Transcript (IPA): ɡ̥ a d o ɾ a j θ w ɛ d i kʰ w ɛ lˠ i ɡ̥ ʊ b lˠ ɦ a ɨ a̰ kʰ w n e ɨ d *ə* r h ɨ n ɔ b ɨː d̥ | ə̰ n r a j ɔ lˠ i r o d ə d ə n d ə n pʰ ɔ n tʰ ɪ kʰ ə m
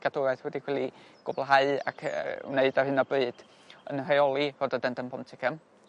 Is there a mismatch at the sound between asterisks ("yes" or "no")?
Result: yes